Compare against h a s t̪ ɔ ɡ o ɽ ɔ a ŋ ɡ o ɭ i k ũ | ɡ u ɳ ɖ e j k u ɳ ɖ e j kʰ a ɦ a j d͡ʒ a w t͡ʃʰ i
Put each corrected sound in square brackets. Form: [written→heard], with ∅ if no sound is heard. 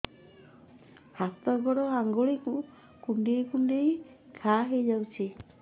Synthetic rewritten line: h a s t̪ ɔ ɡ [o→ɔ] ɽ ɔ a ŋ ɡ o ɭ i k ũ | [ɡ→k] u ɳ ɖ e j k u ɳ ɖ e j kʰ a ɦ [a→e] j d͡ʒ a w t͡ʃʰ i